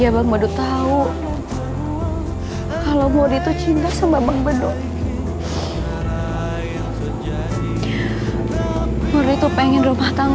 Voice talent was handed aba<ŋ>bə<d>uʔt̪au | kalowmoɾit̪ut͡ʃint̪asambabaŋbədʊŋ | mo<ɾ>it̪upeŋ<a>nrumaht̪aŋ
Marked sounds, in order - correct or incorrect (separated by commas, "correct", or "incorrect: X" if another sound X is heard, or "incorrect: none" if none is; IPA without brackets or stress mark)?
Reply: correct, correct, correct, incorrect: ɛ